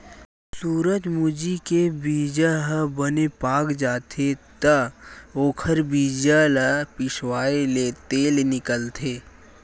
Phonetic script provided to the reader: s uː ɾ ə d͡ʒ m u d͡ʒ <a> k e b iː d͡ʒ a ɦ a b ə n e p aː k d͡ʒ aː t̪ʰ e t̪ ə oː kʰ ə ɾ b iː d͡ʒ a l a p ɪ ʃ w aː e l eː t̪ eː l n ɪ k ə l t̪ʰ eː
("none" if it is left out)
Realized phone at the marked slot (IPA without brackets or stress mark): i